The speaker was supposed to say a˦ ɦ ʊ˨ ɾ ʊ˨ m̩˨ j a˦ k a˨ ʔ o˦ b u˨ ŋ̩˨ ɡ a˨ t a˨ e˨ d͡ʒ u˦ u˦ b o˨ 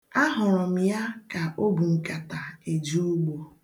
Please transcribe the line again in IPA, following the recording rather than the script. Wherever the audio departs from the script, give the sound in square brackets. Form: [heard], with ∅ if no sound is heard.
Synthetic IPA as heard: a˦ ɦ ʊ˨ ɾ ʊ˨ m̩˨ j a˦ k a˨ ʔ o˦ b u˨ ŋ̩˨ [k] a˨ t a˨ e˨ d͡ʒ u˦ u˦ [ɡ͡b] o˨